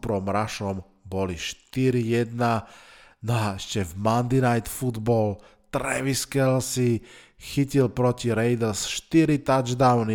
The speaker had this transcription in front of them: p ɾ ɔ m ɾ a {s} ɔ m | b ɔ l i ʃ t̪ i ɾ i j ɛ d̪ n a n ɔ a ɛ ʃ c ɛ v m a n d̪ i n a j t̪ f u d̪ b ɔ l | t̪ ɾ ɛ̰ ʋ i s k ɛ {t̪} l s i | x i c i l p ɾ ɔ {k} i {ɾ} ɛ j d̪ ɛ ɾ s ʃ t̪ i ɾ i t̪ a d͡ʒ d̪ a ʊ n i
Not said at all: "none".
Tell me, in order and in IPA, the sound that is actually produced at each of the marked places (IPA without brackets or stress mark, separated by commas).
ʃ, none, c, ɾ